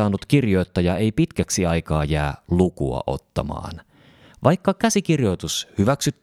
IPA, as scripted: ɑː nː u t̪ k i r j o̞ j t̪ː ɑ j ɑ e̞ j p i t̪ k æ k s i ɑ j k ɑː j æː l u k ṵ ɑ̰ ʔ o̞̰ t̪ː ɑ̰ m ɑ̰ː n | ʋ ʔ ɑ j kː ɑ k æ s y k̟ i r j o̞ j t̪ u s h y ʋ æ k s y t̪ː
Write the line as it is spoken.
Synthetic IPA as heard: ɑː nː u t̪ k i r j o̞ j t̪ː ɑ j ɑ e̞ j p i t̪ k æ k s i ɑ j k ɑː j æː l u k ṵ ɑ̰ ʔ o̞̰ t̪ː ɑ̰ m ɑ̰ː n | ʋ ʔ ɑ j kː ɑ k æ s i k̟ i r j o̞ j t̪ u s h y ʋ æ k s y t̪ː